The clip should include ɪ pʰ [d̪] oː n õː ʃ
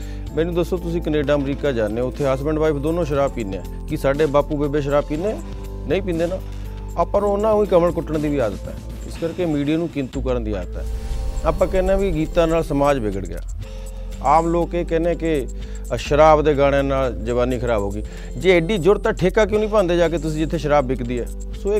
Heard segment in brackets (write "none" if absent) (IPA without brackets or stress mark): d̪